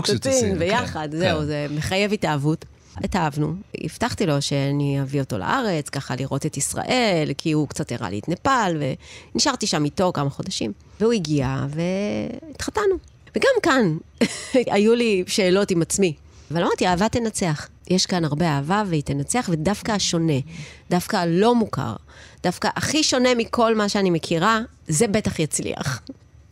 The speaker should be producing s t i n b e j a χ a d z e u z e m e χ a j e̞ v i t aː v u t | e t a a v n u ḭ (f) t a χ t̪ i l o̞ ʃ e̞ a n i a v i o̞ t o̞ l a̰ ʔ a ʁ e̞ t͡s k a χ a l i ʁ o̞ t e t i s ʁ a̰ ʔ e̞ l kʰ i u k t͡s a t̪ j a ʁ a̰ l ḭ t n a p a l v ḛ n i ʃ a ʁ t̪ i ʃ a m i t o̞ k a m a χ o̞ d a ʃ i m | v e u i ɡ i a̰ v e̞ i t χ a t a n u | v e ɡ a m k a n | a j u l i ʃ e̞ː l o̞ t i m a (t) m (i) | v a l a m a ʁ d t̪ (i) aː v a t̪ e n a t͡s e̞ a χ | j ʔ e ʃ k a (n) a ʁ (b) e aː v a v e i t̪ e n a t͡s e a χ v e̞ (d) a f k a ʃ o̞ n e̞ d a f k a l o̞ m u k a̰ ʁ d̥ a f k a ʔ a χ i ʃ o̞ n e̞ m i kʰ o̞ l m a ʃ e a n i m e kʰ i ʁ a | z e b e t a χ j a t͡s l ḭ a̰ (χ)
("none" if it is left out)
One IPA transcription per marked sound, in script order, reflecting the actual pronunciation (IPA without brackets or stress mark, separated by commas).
f, t͡s, i, i, n, b, d, χ